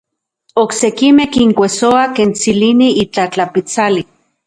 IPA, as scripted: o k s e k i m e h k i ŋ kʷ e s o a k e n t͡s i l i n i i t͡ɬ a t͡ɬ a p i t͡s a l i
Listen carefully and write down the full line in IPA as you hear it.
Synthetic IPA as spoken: o k s e k i m e h k i ŋ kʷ e s o a k e n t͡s i l i n i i t͡ɬ a t͡ɬ a p i t͡s a l i